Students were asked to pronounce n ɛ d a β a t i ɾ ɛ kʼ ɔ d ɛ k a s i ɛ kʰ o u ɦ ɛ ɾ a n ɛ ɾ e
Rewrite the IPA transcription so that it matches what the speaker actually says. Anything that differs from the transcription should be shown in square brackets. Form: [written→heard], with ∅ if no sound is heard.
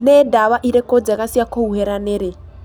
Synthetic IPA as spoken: n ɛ d a β a [t→ʔ] i ɾ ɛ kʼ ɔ [d→d͡z] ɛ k a s i [ɛ→a] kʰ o u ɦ ɛ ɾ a n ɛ ɾ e